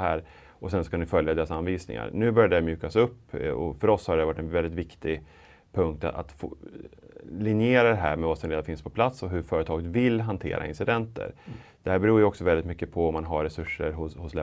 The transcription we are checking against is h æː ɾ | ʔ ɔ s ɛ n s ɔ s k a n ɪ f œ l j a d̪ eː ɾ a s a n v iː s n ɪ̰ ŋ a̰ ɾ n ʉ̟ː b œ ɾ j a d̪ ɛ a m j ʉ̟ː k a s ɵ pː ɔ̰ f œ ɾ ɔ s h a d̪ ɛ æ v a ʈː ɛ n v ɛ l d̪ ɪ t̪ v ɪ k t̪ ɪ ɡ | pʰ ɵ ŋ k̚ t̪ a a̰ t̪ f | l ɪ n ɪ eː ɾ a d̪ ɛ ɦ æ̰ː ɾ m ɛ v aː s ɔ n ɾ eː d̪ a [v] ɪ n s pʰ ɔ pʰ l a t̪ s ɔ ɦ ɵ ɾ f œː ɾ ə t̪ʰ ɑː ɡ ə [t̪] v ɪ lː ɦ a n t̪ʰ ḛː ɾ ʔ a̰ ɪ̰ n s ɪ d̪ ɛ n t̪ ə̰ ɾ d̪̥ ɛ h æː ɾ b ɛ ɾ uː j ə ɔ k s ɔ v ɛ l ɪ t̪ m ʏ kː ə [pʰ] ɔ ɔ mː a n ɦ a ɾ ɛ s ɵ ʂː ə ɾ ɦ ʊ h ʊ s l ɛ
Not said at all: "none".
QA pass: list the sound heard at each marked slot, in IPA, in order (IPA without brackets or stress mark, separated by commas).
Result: f, t̪, pʰ